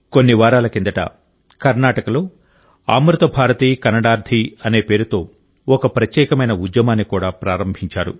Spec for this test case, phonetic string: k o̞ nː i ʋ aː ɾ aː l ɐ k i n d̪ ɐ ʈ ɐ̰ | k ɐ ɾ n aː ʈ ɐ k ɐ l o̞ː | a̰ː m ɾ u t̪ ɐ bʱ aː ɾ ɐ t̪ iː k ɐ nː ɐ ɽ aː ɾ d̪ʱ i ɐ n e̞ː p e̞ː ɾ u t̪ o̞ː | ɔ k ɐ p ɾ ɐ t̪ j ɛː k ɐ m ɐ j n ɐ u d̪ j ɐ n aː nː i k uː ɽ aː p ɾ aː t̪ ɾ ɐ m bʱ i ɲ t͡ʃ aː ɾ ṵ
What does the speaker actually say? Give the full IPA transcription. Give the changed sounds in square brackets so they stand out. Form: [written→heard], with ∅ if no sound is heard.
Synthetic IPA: k o̞ nː i ʋ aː ɾ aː l ɐ k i n d̪ ɐ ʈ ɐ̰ | k ɐ ɾ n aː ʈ ɐ k ɐ l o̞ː | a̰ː m ɾ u t̪ ɐ bʱ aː ɾ ɐ t̪ iː k ɐ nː ɐ ɽ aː ɾ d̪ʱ i ɐ n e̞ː p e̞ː ɾ u t̪ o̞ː | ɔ k ɐ p ɾ ɐ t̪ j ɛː k ɐ m ɐ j n ɐ u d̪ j ɐ [n→m] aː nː i k uː ɽ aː p ɾ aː [t̪→∅] ɾ ɐ m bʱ i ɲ t͡ʃ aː ɾ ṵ